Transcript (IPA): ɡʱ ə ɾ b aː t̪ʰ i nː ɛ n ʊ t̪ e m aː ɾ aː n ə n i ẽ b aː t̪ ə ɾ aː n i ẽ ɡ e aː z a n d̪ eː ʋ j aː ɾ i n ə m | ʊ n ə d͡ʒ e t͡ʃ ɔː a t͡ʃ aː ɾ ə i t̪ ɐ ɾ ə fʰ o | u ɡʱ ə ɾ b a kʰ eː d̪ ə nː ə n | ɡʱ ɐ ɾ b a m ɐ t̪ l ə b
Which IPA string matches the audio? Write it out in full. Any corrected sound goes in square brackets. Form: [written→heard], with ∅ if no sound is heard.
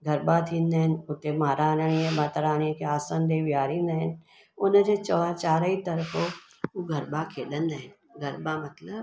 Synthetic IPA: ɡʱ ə ɾ b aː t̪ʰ i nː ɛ n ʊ t̪ e m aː ɾ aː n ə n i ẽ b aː t̪ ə ɾ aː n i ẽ [ɡ→k] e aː [z→s] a n d̪ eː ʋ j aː ɾ i n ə [m→n] | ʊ n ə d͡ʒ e t͡ʃ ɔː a t͡ʃ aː ɾ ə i t̪ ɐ ɾ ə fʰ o | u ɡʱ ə ɾ b a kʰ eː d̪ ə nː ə n | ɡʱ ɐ ɾ b a m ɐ t̪ l ə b